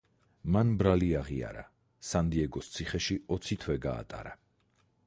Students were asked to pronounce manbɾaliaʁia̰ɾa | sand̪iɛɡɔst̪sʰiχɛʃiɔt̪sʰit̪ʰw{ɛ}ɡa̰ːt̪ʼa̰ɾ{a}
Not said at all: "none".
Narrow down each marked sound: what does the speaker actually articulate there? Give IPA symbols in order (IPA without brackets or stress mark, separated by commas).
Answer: ɛ, a